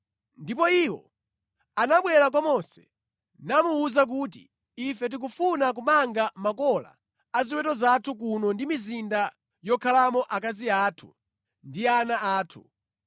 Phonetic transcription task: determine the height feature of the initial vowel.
high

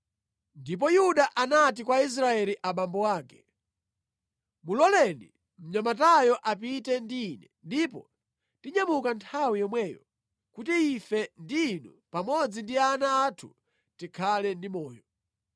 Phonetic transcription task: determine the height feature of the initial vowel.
high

